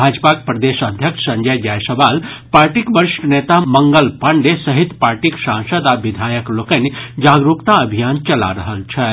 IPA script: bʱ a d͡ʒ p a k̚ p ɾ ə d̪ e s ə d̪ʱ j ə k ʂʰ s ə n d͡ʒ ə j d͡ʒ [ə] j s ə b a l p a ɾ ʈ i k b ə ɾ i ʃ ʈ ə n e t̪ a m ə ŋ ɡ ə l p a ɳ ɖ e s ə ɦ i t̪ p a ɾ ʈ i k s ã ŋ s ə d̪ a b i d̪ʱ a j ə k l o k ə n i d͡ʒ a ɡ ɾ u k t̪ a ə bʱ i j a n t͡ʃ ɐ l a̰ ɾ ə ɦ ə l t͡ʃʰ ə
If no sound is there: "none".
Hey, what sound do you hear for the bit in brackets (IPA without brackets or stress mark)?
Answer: a